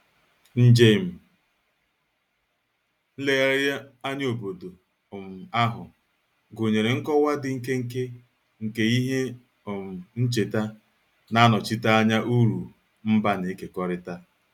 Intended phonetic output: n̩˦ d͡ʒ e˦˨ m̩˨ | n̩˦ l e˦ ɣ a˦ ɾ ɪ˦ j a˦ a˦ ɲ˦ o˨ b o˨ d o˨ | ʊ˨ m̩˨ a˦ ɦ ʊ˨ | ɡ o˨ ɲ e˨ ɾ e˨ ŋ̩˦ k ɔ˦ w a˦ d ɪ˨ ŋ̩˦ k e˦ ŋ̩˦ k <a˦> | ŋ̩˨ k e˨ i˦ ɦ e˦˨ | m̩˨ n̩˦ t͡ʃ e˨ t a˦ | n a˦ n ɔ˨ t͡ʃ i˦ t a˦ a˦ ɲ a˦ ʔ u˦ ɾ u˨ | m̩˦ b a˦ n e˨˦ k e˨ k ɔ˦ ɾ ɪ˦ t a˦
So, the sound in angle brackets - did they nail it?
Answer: no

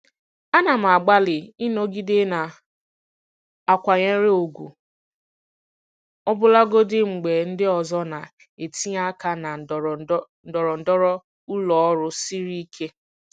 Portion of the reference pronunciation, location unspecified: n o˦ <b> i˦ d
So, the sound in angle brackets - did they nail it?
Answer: no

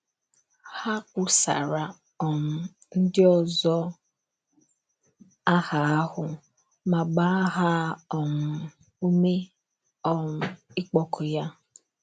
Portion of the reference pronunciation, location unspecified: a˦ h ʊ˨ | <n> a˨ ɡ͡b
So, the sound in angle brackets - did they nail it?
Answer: no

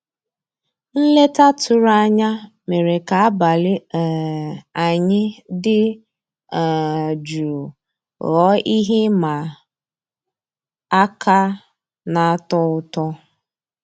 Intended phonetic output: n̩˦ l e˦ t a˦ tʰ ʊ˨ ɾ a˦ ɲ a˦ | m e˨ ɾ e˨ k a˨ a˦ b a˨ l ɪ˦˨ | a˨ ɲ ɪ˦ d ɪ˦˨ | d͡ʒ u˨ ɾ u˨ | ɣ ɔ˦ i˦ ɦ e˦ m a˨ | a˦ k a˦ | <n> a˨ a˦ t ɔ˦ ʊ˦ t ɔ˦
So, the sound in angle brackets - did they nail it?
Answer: yes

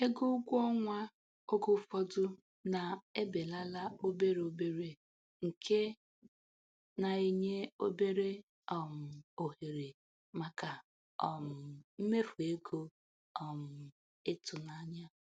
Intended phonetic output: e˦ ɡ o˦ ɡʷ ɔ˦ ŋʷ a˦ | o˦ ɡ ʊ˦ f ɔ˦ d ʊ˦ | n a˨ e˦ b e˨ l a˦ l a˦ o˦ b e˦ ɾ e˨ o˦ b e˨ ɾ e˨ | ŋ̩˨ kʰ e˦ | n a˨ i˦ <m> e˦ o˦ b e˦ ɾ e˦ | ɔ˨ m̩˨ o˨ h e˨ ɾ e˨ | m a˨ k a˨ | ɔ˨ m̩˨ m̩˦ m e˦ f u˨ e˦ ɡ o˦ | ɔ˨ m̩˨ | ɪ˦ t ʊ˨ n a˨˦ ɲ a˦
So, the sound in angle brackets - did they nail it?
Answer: no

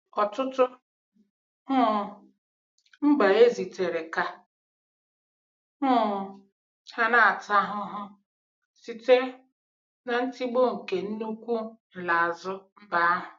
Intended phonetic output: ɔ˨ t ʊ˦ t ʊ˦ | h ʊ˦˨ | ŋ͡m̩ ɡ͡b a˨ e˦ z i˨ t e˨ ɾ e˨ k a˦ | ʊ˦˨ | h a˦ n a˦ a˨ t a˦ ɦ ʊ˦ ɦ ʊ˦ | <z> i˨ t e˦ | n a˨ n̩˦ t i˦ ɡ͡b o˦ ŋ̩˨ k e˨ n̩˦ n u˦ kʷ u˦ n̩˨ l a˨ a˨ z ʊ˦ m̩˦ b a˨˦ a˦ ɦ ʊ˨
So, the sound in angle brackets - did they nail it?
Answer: no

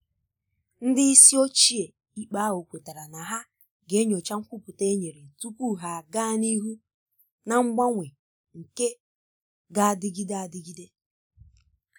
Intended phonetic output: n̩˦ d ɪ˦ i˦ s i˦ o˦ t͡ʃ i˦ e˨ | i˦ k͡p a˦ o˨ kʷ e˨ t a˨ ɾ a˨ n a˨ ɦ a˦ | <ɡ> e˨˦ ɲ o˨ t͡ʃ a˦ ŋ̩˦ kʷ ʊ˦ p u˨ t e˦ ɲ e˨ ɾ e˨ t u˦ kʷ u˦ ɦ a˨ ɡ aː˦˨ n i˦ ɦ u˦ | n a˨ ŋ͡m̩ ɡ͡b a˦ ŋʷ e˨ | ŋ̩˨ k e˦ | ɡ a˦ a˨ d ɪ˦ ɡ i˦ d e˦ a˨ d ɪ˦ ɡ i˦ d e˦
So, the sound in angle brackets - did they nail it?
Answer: yes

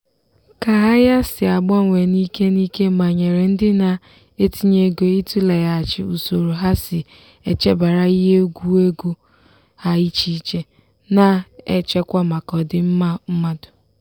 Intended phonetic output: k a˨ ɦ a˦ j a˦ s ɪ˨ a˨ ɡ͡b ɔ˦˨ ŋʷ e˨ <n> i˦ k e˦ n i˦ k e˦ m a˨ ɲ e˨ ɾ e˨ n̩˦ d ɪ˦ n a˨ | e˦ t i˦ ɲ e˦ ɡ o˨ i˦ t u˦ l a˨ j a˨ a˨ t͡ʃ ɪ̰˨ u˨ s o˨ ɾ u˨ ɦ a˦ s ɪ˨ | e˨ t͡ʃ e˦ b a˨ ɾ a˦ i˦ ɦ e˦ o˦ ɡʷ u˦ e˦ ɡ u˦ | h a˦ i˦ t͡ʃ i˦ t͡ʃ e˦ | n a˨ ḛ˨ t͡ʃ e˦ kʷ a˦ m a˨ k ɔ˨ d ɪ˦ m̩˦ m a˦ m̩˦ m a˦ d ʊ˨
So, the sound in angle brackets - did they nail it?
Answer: yes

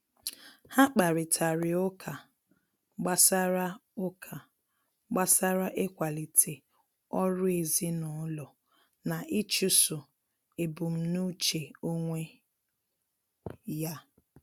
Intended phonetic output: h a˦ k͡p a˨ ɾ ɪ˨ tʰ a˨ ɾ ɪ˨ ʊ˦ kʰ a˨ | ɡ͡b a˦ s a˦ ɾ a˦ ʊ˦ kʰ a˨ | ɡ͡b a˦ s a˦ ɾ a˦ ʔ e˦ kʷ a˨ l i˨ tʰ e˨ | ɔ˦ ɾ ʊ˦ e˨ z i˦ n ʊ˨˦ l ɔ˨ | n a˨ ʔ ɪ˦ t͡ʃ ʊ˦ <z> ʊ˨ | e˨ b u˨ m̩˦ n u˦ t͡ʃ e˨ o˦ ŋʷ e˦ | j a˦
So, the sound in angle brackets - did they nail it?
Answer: no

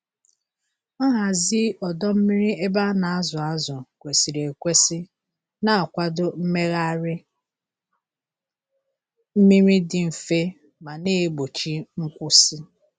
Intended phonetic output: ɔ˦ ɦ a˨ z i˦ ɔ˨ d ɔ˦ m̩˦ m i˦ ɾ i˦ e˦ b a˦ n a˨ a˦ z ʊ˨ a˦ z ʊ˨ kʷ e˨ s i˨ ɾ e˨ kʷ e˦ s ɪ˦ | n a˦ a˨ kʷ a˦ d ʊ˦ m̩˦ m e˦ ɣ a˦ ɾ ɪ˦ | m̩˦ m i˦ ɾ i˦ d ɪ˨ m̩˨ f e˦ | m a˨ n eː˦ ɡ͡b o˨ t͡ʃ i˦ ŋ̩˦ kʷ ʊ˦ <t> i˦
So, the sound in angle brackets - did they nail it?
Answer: no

